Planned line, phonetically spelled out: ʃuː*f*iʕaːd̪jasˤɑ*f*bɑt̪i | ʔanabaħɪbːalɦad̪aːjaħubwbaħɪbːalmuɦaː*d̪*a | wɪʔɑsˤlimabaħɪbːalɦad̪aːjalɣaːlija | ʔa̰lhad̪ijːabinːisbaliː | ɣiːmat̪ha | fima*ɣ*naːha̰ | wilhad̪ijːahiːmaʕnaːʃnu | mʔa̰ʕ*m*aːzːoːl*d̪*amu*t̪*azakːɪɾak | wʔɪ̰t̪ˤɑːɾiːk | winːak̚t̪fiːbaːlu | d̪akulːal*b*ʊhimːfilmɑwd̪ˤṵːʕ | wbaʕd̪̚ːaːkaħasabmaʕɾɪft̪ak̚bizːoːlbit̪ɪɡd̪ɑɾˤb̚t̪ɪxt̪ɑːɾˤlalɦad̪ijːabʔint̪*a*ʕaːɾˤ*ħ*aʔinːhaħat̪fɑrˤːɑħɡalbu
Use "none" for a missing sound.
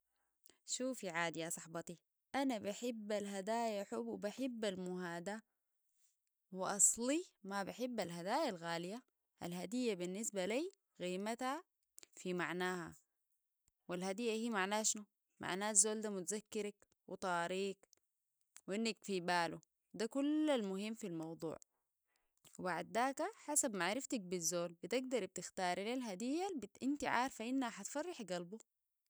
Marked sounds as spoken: f, ħ, d̪, ʕ, n, d̪, t̪, m, i, f

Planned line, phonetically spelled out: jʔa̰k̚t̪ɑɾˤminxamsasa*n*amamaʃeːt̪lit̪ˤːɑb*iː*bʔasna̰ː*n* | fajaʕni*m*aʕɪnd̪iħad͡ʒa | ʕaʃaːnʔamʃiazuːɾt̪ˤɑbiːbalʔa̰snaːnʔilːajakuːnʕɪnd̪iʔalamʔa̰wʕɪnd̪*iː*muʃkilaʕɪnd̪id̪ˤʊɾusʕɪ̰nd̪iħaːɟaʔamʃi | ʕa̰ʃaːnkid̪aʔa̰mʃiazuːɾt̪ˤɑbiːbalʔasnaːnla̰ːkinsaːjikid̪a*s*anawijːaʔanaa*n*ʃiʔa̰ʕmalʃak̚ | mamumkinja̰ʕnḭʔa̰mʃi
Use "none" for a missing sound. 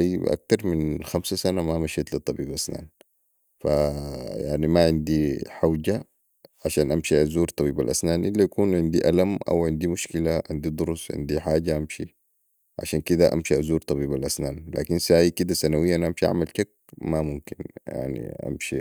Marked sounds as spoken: n, iː, n, m, i, s, m

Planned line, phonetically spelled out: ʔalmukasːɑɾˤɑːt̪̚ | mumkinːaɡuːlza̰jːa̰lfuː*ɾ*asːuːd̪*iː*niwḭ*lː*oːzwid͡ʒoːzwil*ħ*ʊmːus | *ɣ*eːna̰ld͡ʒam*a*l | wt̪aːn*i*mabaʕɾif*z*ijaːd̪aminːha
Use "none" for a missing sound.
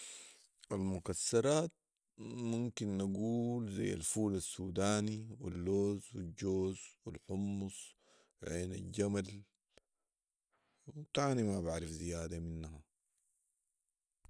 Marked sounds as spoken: l, aː, lː, ħ, ʕ, a, i, z

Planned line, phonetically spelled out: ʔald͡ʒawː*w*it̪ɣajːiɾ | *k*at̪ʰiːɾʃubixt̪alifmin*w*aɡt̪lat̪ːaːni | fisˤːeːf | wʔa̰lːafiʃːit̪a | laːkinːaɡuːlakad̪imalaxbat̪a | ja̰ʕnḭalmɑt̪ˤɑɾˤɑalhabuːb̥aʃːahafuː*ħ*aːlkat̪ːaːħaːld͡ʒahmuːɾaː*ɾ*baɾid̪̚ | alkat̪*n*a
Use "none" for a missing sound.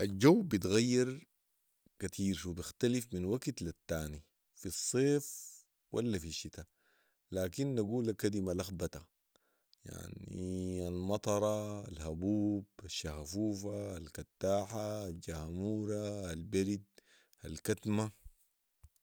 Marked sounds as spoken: b, k, w, f, l, m

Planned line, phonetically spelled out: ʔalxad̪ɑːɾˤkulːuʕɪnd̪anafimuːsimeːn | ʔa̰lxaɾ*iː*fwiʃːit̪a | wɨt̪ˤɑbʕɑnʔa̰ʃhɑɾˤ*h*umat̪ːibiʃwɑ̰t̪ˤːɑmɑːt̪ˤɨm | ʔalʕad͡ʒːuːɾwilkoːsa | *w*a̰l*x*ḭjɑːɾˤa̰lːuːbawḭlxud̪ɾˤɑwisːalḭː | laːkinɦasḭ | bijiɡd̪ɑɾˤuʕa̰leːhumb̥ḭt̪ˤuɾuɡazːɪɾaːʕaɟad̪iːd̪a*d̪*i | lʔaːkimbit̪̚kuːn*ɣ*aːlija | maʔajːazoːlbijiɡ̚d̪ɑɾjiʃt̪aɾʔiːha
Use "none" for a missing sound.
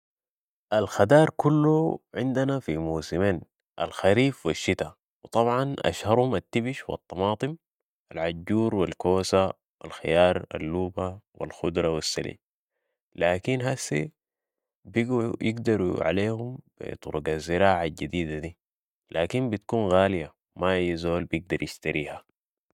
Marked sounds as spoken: iː, h, w, x, d̪, ɣ

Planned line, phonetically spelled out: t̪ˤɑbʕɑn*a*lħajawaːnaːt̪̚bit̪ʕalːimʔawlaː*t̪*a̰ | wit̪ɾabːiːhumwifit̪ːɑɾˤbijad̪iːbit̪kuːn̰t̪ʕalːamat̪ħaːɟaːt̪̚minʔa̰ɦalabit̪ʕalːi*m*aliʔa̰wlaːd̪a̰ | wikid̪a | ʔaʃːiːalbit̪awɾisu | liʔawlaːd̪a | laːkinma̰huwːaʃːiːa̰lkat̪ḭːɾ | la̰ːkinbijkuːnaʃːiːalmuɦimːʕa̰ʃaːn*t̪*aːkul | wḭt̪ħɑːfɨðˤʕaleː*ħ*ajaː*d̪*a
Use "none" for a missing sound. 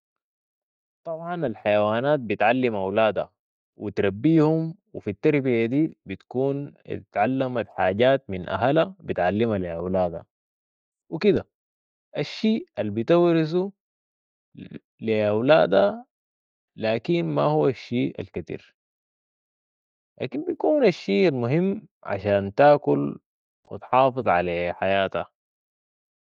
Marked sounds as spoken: a, d̪, m, t̪, ħ, t̪

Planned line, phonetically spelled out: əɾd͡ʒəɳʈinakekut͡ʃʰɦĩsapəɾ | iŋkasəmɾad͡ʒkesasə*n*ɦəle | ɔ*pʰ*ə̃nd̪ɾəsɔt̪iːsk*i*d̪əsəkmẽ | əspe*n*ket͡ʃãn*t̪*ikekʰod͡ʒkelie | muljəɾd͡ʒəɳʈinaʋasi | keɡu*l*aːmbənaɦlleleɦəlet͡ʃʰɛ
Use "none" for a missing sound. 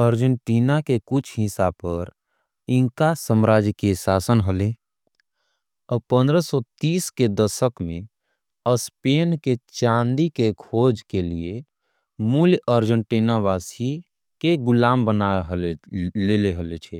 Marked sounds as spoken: n, p, e, n, d̪, l

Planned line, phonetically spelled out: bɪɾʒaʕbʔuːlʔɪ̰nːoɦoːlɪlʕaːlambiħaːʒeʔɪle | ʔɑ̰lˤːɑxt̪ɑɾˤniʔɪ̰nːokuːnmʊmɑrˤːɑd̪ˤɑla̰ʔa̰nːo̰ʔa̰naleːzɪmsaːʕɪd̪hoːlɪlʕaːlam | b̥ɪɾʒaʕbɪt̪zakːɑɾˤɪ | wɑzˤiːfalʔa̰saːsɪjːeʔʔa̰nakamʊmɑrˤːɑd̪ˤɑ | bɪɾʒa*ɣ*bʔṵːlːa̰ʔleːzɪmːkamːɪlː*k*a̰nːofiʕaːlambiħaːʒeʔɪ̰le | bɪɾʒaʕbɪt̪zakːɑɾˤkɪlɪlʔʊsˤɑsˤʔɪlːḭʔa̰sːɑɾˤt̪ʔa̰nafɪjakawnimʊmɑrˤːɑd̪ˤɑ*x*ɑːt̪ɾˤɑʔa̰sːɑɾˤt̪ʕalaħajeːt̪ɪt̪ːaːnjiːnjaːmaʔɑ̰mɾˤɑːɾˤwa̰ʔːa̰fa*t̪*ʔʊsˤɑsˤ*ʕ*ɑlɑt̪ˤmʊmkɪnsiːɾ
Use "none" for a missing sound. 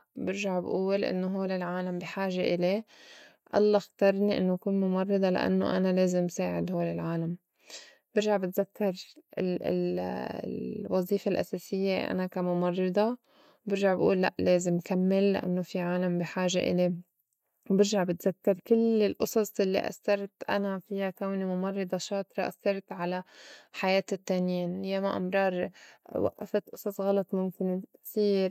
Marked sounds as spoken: ʕ, ʔ, ʃ, t̪, ɣ

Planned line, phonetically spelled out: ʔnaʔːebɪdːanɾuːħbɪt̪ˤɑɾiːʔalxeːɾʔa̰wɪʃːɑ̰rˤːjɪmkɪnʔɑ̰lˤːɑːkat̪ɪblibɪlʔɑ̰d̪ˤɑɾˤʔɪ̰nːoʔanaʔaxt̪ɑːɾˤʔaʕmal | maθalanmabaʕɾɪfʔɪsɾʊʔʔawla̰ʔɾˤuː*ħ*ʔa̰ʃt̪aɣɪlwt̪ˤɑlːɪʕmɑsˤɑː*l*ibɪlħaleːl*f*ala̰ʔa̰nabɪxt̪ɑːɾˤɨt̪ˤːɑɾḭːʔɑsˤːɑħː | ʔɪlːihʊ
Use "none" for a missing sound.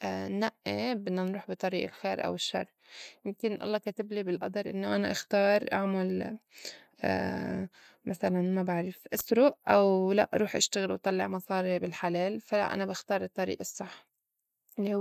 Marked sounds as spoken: ħ, ɾ, f

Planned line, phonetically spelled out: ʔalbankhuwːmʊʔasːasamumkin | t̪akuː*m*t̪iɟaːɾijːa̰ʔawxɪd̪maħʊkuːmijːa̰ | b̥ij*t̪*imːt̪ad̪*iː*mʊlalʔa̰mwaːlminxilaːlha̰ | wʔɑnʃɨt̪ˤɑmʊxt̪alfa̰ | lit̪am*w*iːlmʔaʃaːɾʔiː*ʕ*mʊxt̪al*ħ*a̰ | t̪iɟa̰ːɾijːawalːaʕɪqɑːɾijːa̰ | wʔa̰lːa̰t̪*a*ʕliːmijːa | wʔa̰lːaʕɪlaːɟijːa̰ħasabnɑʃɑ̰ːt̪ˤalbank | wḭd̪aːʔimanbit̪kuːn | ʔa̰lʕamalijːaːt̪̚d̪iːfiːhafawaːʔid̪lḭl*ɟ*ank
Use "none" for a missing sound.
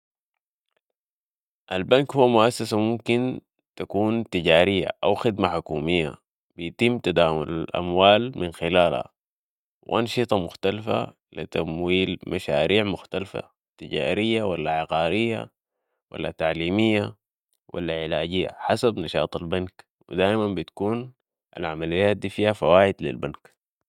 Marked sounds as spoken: n, t̪, aː, w, ʕ, f, a, b

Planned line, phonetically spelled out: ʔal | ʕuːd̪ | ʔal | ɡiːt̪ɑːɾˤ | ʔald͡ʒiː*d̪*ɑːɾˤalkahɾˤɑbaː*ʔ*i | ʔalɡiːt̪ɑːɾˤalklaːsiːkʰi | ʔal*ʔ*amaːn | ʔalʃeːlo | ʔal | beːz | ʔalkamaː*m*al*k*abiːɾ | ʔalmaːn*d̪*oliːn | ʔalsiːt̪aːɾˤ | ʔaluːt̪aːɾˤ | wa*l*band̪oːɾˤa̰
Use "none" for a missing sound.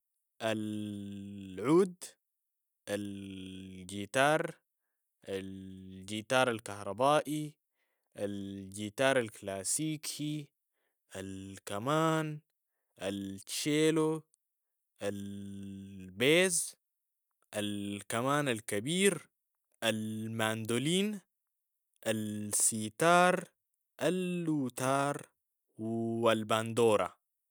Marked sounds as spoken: t̪, ʔ, k, n, k, d̪, l

